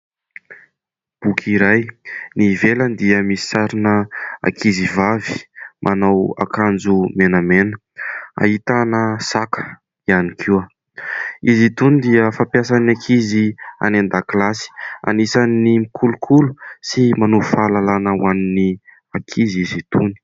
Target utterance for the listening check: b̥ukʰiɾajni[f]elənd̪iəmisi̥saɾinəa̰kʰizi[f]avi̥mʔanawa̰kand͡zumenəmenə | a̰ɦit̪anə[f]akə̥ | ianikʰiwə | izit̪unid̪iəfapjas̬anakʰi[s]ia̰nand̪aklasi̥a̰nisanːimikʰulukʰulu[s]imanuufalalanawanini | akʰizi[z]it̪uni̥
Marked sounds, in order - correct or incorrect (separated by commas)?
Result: incorrect, incorrect, incorrect, incorrect, correct, correct